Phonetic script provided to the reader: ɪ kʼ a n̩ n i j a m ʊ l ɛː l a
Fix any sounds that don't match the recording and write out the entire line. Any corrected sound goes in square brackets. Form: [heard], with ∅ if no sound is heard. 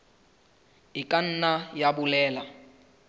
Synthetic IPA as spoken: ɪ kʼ a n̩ n [a] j a [b] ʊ l ɛː l a